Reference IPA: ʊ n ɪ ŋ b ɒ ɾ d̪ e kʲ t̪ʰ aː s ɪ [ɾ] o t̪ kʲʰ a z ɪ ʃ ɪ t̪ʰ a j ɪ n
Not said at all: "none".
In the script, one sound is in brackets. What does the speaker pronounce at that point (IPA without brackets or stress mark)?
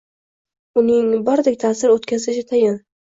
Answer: ɾ